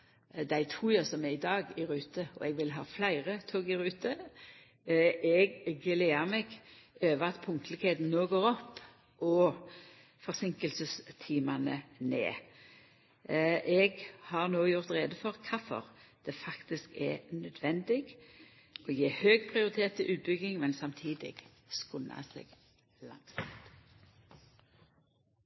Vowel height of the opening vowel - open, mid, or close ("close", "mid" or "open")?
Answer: open